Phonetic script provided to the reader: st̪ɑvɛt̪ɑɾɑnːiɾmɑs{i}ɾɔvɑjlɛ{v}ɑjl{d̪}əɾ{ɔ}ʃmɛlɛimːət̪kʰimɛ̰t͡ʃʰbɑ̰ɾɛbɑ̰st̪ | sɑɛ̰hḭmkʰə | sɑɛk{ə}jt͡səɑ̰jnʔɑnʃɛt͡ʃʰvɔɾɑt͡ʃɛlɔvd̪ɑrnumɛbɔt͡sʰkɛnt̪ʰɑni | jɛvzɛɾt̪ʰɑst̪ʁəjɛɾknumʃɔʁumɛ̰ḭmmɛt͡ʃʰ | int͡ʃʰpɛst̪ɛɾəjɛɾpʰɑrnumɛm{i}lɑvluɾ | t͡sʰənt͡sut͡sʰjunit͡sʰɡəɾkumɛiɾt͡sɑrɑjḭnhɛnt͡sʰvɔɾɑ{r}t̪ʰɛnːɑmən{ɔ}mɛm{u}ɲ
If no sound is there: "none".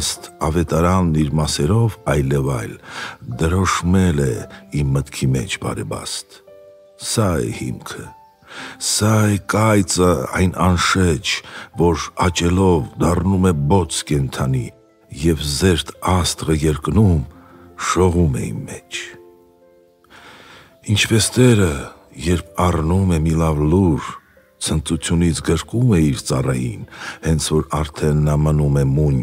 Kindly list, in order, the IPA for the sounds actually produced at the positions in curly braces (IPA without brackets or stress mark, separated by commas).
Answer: ɛ, v, d̪, ɔ, ɑ, i, ɾ, u, u